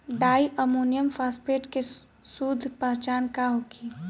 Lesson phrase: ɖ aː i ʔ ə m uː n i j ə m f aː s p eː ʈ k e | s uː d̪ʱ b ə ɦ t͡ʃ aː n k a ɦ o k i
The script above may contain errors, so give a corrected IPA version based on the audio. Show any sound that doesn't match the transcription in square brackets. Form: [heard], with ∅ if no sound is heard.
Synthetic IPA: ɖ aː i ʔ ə m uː n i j ə m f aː s p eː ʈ k e | s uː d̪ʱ [p] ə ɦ t͡ʃ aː n k a ɦ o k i